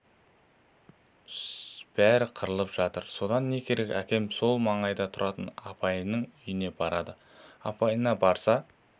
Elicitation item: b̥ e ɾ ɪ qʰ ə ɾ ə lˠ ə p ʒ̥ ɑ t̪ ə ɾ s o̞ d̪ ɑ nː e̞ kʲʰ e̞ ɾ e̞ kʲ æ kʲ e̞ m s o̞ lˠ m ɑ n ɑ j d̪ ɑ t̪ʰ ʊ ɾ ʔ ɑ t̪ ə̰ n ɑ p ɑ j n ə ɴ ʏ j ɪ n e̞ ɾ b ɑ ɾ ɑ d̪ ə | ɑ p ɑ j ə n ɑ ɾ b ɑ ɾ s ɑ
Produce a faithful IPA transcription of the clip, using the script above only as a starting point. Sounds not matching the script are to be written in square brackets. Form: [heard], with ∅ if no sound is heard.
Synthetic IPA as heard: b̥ [æ] ɾ ɪ qʰ ə ɾ ə lˠ ə p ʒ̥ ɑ t̪ ə ɾ s o̞ d̪ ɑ nː e̞ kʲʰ e̞ ɾ e̞ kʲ æ kʲ e̞ m s o̞ lˠ m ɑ [ɴ] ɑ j d̪ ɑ t̪ʰ ʊ ɾ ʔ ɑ t̪ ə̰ n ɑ p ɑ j n ə ɴ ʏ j ɪ n e̞ [∅] b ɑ ɾ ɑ d̪ ə | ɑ p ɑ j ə n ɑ [∅] b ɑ ɾ s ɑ